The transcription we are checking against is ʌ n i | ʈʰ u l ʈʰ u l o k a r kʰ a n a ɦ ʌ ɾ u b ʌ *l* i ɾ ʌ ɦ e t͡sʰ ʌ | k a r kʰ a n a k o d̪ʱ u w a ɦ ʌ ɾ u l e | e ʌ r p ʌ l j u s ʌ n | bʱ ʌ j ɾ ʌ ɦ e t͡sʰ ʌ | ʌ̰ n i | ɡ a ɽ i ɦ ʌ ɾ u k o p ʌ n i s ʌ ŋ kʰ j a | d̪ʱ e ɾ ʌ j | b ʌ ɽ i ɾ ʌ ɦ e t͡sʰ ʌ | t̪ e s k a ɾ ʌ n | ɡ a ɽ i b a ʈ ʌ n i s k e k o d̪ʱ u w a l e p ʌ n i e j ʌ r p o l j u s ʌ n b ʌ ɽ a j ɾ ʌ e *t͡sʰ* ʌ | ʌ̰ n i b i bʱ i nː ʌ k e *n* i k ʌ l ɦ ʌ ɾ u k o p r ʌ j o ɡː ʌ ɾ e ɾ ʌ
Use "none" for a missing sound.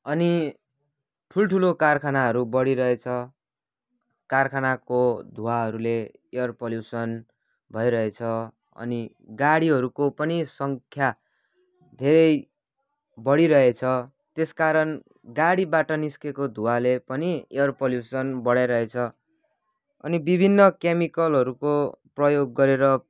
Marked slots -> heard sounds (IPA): ɽ, t͡sʰ, m

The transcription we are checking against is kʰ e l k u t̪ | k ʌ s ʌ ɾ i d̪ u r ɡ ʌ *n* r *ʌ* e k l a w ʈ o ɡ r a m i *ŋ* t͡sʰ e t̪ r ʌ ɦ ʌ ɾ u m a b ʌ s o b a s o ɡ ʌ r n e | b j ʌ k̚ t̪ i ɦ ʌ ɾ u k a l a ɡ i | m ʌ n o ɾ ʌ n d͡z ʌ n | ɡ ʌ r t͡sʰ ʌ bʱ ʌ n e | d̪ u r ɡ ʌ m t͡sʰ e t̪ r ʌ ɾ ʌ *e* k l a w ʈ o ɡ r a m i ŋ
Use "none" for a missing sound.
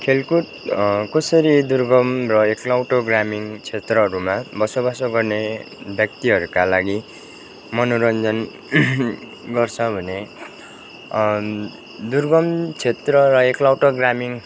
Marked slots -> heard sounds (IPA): m, ʌ, ŋ, e

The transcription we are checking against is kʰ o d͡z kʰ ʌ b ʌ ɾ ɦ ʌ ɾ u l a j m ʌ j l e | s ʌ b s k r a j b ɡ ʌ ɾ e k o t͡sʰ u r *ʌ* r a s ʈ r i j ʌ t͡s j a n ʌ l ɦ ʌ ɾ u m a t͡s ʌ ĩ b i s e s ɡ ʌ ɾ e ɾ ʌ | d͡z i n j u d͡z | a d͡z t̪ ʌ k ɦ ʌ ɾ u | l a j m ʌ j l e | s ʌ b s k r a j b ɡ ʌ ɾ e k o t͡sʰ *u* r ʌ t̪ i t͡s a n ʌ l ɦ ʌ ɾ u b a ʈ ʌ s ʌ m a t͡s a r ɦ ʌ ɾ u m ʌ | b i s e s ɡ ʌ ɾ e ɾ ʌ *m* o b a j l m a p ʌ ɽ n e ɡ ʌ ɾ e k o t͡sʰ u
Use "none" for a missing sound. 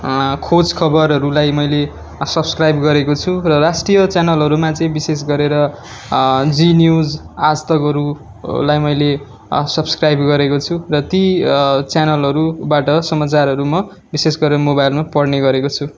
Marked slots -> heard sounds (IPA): ʌ, u, m

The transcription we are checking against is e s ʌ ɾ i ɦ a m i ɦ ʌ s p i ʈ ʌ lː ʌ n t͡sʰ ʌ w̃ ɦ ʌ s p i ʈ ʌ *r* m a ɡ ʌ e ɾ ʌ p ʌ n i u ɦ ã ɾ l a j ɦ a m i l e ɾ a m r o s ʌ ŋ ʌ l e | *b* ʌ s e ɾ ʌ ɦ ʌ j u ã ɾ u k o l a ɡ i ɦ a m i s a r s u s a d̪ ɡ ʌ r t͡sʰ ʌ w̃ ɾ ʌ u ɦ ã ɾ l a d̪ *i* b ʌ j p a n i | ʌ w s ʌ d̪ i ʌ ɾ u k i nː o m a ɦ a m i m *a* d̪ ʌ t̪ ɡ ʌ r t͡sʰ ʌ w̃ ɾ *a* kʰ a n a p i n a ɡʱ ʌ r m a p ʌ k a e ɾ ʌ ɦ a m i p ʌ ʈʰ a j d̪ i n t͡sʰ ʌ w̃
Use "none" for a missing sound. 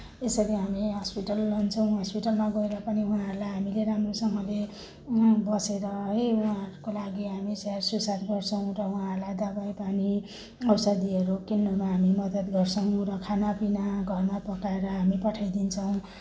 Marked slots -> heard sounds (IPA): l, b, a, ʌ, ʌ

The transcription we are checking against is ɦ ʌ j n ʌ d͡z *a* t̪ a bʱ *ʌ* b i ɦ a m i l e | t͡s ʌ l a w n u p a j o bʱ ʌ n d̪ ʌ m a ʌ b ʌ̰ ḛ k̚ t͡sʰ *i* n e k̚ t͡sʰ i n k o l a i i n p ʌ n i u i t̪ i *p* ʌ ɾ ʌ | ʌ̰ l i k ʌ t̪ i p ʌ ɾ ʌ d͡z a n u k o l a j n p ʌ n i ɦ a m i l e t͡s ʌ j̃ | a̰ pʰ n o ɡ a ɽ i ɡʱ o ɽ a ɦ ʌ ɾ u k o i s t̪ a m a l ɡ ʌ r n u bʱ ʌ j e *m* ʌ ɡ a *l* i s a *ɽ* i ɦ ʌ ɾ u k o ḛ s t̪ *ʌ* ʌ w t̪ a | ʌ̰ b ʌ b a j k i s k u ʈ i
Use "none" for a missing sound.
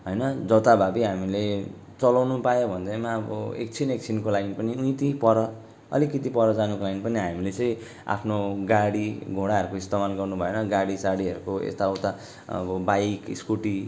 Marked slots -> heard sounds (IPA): ʌ, a, i, p, n, ɽ, ɽ, a

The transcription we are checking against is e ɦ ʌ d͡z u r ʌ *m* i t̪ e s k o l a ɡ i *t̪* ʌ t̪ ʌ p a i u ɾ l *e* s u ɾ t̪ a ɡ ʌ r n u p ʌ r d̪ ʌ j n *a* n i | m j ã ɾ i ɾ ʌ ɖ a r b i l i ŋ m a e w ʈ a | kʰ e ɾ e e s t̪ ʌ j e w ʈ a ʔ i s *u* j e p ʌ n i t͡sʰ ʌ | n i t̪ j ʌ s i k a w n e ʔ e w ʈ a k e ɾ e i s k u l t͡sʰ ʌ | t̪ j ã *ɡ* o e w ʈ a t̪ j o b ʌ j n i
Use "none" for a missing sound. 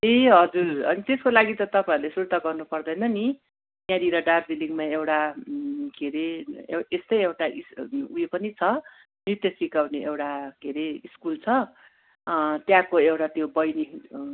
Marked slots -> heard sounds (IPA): n, t̪, e, ʌ, u, k

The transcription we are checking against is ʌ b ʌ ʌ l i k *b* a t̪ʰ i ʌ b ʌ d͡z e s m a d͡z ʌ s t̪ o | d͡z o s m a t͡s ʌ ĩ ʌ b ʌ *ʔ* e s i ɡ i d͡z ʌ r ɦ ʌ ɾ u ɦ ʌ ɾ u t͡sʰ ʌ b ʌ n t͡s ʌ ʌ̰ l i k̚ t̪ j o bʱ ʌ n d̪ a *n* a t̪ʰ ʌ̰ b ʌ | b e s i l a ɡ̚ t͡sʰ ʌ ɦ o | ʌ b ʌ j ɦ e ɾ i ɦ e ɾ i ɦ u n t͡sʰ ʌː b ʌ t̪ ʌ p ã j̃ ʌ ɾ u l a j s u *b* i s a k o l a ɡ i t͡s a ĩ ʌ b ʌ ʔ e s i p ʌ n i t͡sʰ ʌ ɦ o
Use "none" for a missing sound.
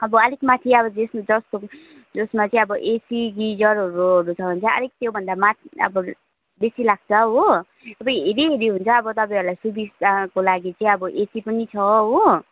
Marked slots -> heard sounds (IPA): m, ʔ, m, b

